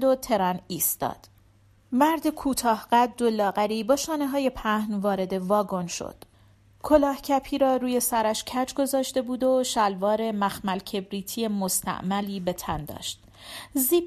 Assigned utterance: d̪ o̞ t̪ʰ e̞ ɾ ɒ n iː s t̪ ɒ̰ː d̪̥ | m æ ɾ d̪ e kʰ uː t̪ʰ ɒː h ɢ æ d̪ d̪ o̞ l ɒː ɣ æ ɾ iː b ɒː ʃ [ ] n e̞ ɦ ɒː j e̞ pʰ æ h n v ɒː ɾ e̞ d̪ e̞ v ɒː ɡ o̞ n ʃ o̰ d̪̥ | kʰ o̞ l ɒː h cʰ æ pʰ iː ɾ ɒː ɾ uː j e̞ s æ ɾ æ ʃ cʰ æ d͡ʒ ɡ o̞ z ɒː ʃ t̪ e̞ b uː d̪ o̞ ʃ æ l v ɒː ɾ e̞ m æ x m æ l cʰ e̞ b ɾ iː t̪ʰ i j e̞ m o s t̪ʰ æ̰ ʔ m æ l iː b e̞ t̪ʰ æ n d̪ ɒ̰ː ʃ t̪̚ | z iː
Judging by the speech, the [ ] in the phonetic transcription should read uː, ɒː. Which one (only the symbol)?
ɒː